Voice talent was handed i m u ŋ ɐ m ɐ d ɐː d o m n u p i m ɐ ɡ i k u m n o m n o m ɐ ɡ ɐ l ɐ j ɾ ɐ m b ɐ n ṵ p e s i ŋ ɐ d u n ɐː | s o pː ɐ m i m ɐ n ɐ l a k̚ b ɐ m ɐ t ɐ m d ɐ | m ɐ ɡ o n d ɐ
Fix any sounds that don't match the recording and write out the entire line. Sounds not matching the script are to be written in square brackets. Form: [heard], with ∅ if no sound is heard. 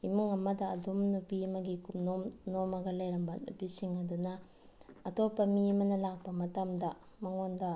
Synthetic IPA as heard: i m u ŋ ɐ m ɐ d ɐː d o m n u p i m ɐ ɡ i k u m n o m n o m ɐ ɡ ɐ l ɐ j ɾ ɐ m b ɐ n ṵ p [i] s i ŋ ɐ d u n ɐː | [t] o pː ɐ m i m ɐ n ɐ l a k̚ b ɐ m ɐ t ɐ m d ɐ | m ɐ [ŋ] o n d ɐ

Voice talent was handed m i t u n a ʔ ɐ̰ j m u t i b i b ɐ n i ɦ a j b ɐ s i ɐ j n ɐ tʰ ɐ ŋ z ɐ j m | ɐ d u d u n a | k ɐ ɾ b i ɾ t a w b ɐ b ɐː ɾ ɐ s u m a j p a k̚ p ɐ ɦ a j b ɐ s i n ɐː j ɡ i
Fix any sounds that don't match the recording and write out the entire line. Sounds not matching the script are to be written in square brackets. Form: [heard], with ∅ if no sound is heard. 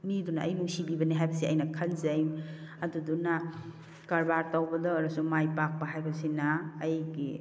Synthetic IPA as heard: m i [d] u n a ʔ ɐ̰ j m u [s] i b i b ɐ n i ɦ a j b ɐ s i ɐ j n ɐ [kʰ] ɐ [n] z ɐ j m | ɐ d u d u n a | k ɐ ɾ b [a] ɾ t a w b ɐ [d] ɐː ɾ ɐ s u m a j p a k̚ p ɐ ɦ a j b ɐ s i n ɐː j ɡ i

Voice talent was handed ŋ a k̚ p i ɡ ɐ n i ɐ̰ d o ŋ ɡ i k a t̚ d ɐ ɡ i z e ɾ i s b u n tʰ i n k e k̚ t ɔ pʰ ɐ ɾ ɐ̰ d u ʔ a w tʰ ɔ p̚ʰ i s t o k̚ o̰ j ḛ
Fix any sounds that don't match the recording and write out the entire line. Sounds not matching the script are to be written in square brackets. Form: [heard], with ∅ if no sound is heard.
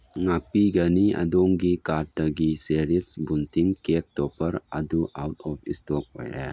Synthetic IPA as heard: ŋ a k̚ p i ɡ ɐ n i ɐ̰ d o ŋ ɡ i k a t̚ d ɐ ɡ i [s] e ɾ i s b u n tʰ i [ŋ] k e k̚ t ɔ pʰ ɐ ɾ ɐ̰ d u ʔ a w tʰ ɔ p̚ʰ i s t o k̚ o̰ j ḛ

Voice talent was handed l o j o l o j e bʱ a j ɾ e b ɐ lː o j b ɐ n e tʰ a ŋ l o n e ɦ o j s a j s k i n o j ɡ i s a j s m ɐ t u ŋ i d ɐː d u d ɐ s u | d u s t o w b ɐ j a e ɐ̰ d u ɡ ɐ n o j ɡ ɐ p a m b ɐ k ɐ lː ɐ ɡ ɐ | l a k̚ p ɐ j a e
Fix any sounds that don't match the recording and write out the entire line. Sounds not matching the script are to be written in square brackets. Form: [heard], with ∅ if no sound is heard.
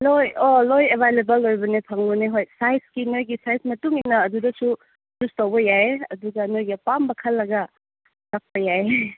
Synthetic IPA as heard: l o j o l o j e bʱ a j [l] e b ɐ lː o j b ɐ n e [pʰ] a ŋ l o n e ɦ o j s a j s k i n o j ɡ i s a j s m ɐ t u ŋ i [n] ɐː d u d ɐ s u | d u s t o w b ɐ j a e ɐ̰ d u ɡ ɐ n o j ɡ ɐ p a m b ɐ [kʰ] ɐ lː ɐ ɡ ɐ | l a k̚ p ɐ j a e

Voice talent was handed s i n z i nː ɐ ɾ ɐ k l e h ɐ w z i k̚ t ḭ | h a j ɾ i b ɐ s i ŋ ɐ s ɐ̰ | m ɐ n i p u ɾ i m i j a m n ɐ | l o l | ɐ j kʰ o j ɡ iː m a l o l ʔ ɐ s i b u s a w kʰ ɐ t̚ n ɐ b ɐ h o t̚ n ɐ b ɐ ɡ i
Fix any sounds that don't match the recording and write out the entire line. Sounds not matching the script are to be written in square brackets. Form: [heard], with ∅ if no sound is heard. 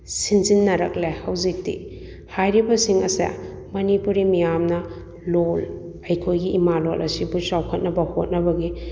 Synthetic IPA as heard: s i n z i nː ɐ ɾ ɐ k l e h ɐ w z i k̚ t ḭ | h a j ɾ i b ɐ s i ŋ ɐ s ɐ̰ | m ɐ n i p u ɾ i m i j a m n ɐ | l o l | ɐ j kʰ o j ɡ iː m a l o l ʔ ɐ s i b u s a w kʰ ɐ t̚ n ɐ b ɐ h o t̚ n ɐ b ɐ ɡ i

